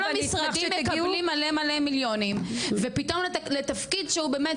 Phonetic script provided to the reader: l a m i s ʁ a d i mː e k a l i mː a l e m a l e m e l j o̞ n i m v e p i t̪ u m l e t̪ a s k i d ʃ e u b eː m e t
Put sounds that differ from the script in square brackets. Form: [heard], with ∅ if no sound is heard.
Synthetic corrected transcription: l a m i s ʁ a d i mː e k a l i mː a l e m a l e m [i] l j o̞ n i m v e p i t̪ [o] m l e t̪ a [f] k i d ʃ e u b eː m e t